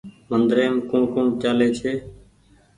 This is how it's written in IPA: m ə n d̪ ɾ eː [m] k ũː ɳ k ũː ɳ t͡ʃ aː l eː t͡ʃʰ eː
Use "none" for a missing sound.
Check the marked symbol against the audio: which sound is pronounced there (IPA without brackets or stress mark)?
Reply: m